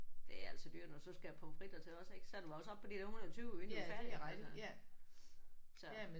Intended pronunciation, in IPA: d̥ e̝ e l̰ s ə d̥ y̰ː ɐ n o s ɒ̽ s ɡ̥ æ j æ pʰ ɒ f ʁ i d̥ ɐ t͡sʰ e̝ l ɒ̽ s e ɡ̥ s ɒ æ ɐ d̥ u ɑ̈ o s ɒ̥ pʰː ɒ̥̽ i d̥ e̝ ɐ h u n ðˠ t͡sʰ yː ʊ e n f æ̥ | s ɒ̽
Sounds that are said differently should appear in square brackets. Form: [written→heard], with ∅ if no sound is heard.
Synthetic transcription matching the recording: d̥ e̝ [e→æ] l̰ s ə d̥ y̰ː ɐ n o s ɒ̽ s ɡ̥ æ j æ pʰ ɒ f ʁ i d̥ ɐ t͡sʰ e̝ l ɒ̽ s e ɡ̥ s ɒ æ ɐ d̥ u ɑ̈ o s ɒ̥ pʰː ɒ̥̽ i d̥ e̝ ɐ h u n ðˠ t͡sʰ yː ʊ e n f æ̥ | s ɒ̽